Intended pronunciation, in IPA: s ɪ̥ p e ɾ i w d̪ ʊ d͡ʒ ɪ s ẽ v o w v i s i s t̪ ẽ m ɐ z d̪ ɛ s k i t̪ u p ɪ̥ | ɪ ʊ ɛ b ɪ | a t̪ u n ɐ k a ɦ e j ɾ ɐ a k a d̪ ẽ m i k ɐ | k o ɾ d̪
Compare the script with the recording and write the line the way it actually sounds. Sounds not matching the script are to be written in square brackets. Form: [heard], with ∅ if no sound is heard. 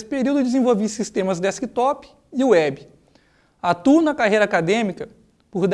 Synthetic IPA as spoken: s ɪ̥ p e ɾ i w d̪ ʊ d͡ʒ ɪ [z] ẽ v o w v i s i s t̪ ẽ m ɐ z d̪ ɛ s k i t̪ [ɔ] p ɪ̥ | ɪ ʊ ɛ b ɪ | a t̪ u n ɐ k a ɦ e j ɾ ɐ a k a d̪ ẽ m i k ɐ | [p] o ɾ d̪